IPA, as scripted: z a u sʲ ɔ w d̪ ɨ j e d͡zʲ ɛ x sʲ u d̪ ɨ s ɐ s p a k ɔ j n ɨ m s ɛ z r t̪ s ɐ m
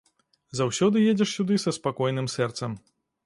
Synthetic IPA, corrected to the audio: z a w sʲ ɔ d̪ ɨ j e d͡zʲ ɛ ʂ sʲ u d̪ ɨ s ɐ s p a k ɔ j n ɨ m s ɛ r t̪ s ɐ m